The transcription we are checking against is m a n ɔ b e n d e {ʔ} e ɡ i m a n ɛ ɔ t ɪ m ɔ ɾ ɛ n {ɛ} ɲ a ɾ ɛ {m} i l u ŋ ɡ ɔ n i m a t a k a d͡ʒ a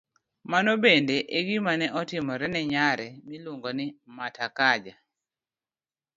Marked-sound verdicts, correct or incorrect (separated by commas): correct, correct, correct